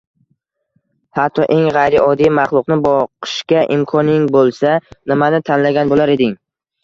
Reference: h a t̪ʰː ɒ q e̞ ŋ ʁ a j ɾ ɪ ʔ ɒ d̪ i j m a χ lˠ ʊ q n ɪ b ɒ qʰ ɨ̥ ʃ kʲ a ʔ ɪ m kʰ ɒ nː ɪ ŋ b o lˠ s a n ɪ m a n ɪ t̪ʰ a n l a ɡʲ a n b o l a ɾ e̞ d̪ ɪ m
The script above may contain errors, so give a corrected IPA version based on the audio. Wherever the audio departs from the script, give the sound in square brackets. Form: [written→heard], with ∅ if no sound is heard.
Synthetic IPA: h a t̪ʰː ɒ [q→ʔ] e̞ ŋ ʁ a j ɾ ɪ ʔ ɒ d̪ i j m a χ lˠ ʊ q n ɪ b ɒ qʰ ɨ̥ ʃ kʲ a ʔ ɪ m kʰ ɒ [nː→n] ɪ ŋ b o lˠ s a n ɪ m a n ɪ t̪ʰ a n l a ɡʲ a n b o l a ɾ e̞ d̪ ɪ [m→ŋ]